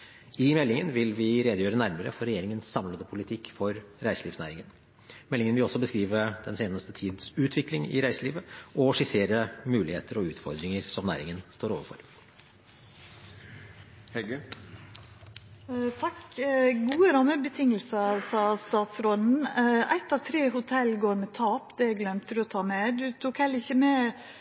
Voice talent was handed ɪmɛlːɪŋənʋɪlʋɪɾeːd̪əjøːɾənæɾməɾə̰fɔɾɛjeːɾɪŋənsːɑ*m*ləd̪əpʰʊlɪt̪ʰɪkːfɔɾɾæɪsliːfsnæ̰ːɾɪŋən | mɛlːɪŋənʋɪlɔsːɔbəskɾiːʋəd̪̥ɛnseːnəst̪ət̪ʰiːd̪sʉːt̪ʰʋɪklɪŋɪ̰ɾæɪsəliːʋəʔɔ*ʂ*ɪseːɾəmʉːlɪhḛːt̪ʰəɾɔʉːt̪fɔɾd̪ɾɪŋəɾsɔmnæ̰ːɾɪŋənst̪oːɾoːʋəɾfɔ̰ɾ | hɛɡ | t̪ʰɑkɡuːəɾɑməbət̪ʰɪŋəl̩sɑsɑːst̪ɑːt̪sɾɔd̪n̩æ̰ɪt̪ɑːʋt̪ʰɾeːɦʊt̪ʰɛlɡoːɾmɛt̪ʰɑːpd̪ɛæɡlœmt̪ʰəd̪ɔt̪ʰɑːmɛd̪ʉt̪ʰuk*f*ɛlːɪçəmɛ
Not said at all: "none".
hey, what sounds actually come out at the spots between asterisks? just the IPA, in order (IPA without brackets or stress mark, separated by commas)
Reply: m, ʂ, h